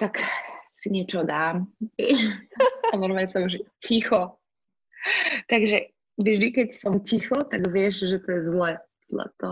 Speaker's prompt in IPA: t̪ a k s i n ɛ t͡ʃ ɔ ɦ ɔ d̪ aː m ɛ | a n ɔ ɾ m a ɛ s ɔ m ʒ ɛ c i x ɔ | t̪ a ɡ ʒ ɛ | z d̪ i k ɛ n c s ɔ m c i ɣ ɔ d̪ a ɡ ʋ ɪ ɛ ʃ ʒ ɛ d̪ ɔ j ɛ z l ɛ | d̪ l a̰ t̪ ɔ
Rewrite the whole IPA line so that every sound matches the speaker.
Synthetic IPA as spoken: t̪ a k s i ɲ ɛ t͡ʃ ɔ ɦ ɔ d̪ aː m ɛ | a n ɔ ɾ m a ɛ s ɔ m ʒ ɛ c i x ɔ | t̪ a ɡ ʒ ɛ | ʒ d̪ i k ɛ c s ɔ m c i x ɔ t̪ a ɡ ʋ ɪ ɛ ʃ ʒ ɛ t̪ ɔ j ɛ z l ɛ | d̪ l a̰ t̪ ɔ